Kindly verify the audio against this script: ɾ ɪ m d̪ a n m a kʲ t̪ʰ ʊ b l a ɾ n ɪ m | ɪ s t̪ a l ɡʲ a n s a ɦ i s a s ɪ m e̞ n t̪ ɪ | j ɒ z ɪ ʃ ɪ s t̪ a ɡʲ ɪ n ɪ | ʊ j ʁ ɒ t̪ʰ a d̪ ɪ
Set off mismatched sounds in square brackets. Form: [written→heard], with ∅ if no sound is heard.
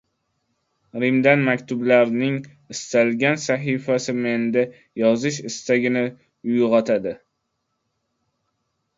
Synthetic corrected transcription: ɾ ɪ m d̪ a n m a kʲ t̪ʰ ʊ b l a ɾ n ɪ [m→ŋ] | ɪ s t̪ a l ɡʲ a n s a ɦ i [s→f] a s ɪ m e̞ n [t̪→d̪] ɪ | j ɒ z ɪ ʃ ɪ s t̪ a ɡʲ ɪ n ɪ | ʊ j ʁ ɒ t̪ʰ a d̪ ɪ